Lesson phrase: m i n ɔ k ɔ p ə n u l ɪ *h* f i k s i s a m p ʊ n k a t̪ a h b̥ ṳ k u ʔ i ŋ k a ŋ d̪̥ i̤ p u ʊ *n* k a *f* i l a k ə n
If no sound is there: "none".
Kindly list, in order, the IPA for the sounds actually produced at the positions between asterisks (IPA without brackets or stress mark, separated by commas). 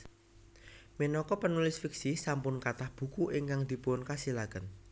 s, n, s